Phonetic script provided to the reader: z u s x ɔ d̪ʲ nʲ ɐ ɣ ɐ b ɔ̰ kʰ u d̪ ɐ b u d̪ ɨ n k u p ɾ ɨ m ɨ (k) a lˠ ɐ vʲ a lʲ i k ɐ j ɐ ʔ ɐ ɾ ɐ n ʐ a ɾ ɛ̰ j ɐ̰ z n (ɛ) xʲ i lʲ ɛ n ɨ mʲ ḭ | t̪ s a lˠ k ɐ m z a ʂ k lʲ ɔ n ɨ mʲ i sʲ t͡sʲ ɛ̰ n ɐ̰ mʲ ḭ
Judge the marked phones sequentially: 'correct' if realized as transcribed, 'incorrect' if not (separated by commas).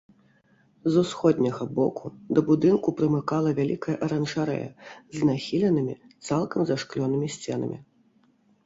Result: correct, incorrect